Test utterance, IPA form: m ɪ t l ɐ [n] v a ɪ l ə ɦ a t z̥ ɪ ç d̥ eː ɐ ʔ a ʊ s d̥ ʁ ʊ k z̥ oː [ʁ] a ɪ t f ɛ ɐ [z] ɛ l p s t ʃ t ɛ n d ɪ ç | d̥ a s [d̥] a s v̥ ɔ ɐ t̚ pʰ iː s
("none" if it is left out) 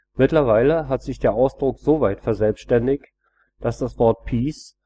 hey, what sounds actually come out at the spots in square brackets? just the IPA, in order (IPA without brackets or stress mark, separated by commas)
none, v, z, d̥